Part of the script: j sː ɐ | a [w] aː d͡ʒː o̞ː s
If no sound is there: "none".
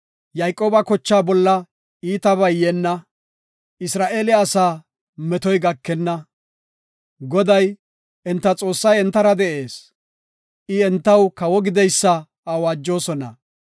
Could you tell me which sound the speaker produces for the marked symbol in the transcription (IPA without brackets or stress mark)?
w